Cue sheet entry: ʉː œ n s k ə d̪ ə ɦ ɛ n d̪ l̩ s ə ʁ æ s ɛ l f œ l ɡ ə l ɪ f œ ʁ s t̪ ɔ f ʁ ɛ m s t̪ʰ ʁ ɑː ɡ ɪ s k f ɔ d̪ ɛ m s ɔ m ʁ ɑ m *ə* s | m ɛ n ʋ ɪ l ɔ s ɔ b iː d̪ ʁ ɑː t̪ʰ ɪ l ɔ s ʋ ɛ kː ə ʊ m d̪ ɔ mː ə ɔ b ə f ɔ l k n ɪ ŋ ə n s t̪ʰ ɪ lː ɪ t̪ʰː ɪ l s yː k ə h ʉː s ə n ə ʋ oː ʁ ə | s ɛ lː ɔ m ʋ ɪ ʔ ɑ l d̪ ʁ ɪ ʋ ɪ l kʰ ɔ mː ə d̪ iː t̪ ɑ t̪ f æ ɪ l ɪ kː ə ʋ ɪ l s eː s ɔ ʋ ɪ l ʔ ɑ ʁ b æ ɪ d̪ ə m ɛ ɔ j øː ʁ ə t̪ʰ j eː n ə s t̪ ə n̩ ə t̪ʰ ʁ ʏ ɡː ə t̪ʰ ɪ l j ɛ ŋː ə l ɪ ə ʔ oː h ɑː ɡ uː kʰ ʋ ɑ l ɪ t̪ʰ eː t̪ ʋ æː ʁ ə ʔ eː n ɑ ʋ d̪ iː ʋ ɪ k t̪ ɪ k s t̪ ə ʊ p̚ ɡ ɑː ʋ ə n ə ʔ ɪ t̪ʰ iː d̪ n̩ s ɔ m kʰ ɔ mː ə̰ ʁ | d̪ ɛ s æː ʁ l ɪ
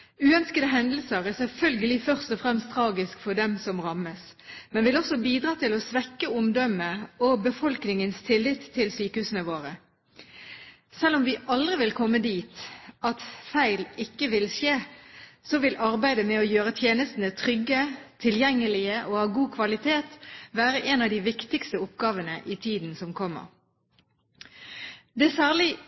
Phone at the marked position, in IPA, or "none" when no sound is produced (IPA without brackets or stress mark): ə